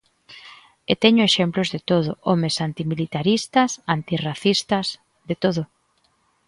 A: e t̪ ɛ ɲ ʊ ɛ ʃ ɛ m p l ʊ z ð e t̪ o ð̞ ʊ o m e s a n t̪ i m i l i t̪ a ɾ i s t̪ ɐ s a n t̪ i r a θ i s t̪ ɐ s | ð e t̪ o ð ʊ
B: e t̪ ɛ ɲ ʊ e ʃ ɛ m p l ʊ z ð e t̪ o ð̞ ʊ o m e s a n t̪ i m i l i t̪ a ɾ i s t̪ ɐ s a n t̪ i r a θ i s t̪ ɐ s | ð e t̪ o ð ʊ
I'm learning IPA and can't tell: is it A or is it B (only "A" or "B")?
B